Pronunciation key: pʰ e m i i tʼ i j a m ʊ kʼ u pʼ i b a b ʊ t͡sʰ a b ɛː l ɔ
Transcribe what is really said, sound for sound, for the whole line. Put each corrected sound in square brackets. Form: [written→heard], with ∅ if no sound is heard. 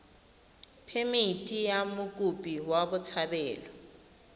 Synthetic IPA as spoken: pʰ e m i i tʼ i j a m ʊ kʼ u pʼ i [b→w] a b ʊ t͡sʰ a b ɛː l ɔ